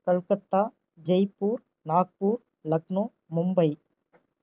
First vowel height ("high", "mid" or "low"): low